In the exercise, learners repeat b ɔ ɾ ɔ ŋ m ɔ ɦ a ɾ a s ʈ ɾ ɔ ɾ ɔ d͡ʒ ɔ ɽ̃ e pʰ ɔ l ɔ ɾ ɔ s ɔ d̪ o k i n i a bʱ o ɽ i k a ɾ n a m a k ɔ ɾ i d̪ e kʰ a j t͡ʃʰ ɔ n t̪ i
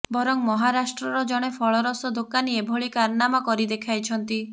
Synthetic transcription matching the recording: b ɔ ɾ ɔ ŋ m ɔ ɦ a ɾ a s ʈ ɾ ɔ ɾ ɔ d͡ʒ ɔ ɽ̃ e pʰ ɔ ɭ ɔ ɾ ɔ s ɔ d̪ o k a n i e bʱ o ɭ i k a ɾ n a m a k ɔ ɾ i d̪ e kʰ a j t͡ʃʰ ɔ n t̪ i